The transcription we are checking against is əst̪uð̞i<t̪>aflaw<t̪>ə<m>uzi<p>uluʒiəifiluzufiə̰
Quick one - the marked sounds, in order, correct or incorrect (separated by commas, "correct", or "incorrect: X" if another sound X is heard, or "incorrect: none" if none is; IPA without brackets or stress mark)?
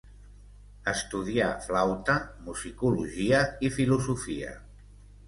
incorrect: none, correct, correct, incorrect: k